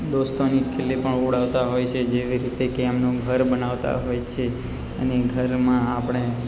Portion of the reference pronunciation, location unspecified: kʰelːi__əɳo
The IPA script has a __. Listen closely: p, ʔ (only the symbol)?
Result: p